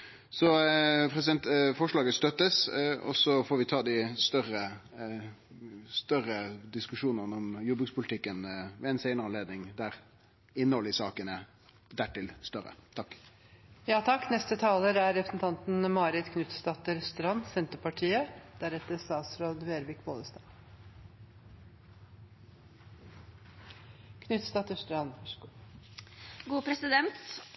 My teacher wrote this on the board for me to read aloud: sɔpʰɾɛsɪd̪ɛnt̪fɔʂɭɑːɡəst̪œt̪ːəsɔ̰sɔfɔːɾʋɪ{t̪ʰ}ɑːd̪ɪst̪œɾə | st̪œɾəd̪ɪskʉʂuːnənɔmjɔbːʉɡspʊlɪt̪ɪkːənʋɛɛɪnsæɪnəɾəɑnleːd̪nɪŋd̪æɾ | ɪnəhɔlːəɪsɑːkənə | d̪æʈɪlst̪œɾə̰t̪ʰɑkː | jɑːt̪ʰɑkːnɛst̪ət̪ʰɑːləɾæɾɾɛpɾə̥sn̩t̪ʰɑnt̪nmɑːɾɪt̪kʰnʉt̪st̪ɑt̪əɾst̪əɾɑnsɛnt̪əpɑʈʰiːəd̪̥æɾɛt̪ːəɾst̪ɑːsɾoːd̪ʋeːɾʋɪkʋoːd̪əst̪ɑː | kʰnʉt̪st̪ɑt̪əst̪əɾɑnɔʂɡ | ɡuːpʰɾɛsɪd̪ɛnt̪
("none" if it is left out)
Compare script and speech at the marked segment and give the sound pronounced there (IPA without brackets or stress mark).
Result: t̪ʰ